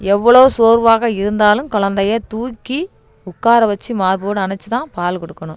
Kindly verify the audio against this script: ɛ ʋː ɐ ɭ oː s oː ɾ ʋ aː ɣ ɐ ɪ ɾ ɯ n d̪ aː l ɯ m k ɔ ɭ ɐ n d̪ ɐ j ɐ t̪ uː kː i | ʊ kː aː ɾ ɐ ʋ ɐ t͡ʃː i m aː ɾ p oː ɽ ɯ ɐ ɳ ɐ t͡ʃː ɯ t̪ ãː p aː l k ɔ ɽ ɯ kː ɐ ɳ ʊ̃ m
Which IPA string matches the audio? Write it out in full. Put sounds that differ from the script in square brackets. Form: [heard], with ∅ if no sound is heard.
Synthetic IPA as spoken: ɛ ʋː ɐ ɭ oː s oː ɾ ʋ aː ɣ ɐ ɪ ɾ ɯ n d̪ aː l ɯ m k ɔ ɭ ɐ n d̪ ɐ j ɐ t̪ uː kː i | ʊ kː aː ɾ ɐ ʋ ɐ t͡ʃː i m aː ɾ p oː ɽ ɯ ɐ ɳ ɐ t͡ʃː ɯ t̪ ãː p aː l k ɔ ɽ ɯ kː ɐ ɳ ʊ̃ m